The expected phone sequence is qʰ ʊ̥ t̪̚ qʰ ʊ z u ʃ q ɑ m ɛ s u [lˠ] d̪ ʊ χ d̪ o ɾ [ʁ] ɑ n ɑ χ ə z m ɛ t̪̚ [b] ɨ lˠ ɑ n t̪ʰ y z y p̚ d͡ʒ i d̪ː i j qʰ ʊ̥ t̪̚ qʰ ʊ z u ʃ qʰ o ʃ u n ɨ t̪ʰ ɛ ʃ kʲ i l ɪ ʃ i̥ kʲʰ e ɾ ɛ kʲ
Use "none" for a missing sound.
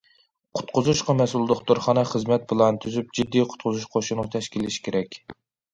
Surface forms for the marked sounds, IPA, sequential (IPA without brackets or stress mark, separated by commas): lˠ, χ, b